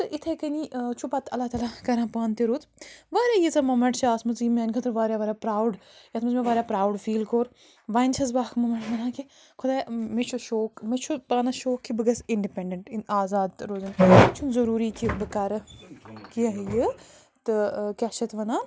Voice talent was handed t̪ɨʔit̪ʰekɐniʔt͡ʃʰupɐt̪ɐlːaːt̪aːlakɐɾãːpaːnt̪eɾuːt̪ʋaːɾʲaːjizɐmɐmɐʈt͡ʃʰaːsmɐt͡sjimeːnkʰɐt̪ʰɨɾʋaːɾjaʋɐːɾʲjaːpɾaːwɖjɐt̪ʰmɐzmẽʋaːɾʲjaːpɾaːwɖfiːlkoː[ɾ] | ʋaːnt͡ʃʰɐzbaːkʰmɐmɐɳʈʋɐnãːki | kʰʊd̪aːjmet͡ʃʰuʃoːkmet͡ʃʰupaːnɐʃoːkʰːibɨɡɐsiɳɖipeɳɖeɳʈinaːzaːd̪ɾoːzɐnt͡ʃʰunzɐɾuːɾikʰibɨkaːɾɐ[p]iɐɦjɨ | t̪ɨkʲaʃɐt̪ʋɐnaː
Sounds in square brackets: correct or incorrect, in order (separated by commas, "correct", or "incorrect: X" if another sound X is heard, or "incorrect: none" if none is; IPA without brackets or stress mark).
correct, incorrect: k